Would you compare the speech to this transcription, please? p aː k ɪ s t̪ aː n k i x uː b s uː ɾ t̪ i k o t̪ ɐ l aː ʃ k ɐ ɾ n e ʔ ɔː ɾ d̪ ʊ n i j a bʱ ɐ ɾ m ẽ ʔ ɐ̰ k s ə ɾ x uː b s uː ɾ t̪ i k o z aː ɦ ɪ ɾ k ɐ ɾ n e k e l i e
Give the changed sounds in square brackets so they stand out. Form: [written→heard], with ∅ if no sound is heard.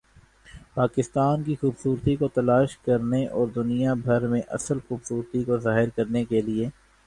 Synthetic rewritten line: p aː k ɪ s t̪ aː n k i x uː b s uː ɾ t̪ i k o t̪ ɐ l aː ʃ k ɐ ɾ n e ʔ ɔː ɾ d̪ ʊ n i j a bʱ ɐ ɾ m ẽ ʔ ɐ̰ [k→∅] s ə [ɾ→l] x uː b s uː ɾ t̪ i k o z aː ɦ ɪ ɾ k ɐ ɾ n e k e l i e